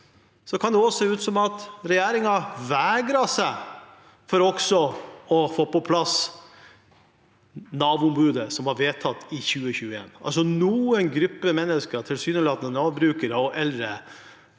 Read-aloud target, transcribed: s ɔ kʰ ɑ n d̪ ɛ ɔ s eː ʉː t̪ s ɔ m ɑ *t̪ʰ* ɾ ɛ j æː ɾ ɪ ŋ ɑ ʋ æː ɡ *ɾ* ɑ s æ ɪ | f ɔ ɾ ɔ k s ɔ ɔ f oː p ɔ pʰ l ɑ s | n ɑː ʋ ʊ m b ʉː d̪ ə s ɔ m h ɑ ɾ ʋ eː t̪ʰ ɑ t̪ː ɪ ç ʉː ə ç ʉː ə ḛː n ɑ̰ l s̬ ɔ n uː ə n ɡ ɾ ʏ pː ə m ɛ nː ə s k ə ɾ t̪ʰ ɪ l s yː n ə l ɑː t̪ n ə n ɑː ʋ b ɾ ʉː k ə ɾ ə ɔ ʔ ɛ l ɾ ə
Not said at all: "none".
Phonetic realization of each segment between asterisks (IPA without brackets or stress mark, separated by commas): t̪, ɾ